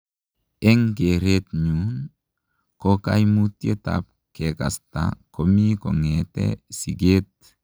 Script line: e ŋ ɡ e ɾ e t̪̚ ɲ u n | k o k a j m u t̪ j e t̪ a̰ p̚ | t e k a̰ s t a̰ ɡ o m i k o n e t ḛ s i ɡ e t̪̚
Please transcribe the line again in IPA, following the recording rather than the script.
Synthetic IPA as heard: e ŋ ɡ e ɾ e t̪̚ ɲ u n | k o k a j m u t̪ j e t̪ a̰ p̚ | k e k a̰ s t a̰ k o m i k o ŋ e t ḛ s i ɡ e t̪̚